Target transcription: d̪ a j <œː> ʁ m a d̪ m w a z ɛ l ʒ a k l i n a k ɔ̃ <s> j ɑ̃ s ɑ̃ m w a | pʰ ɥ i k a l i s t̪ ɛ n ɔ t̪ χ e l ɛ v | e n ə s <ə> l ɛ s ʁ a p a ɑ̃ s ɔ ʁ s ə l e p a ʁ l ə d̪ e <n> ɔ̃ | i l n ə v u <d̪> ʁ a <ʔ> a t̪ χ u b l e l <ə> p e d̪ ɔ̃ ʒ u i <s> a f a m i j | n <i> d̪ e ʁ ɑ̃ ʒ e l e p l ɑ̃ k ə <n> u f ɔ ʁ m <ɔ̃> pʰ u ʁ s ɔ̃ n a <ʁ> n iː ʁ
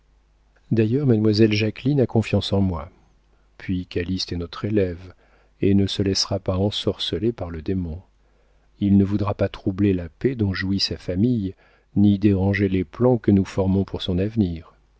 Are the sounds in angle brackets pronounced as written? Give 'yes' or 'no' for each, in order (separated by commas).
no, no, yes, no, yes, no, no, yes, yes, yes, yes, no